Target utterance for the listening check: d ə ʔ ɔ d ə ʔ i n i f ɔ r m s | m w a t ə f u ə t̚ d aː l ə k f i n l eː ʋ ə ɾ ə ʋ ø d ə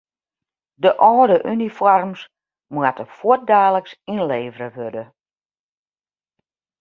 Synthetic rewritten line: d ə ʔ ɔː d ə ʔ y n i f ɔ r m s | m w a t ə f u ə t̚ d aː l ə k s i n l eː v ə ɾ ə ʋ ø d ə